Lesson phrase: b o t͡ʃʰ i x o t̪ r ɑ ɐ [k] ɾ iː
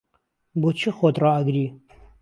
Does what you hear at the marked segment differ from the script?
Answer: yes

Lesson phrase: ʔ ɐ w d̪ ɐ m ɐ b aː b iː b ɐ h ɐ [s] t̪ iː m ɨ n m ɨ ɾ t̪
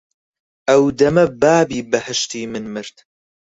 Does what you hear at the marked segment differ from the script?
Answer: yes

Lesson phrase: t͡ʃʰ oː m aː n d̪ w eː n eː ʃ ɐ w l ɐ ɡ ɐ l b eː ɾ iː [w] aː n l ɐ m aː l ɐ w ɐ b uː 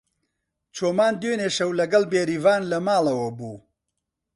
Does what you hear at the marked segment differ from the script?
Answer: yes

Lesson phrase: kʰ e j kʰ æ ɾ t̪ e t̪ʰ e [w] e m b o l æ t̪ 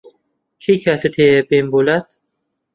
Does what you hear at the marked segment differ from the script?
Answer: yes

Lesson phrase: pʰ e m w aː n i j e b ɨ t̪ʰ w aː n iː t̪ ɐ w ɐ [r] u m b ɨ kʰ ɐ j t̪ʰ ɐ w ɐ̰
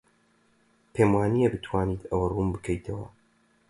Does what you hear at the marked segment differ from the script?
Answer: no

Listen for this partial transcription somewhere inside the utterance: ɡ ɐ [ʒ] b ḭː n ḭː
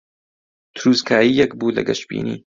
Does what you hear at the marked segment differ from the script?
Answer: yes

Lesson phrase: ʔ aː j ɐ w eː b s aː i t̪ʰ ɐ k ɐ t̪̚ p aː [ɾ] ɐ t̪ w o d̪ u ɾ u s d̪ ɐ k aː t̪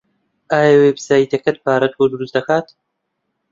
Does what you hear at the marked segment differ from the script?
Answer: no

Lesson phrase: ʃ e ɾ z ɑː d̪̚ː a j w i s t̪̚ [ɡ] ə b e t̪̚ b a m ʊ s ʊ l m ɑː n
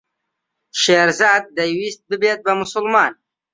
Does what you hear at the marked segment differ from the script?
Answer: yes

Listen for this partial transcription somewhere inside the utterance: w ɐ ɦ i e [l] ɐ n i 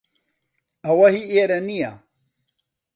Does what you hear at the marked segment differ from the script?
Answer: yes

